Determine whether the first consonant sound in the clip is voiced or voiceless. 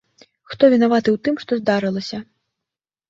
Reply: voiceless